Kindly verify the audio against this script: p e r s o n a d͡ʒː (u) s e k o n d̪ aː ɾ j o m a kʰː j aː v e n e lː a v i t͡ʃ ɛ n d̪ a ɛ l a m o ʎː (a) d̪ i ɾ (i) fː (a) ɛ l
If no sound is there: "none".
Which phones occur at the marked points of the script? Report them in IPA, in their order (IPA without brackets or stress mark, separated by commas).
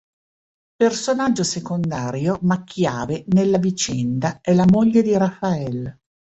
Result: o, e, a, a